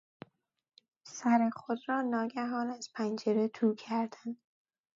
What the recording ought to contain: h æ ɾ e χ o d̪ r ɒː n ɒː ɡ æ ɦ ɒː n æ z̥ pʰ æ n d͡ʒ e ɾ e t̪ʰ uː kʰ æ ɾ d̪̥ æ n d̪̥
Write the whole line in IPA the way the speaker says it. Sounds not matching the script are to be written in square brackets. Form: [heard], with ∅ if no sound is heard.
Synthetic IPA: [s] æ ɾ e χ o d̪ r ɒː n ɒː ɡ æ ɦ ɒː n æ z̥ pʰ æ n d͡ʒ e ɾ e t̪ʰ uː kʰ æ ɾ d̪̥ æ n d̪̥